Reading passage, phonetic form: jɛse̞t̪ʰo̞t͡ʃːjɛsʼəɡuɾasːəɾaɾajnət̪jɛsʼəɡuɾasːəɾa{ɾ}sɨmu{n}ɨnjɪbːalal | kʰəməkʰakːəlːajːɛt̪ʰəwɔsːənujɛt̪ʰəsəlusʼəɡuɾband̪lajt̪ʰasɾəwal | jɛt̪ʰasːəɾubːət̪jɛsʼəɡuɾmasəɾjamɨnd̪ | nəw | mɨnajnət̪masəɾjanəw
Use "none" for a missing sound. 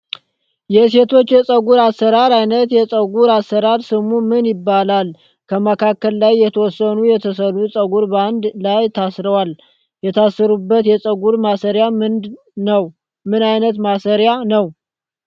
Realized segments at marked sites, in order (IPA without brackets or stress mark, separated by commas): ɾ, m